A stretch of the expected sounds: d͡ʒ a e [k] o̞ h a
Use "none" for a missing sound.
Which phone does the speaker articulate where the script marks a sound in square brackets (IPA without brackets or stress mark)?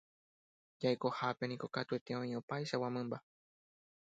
k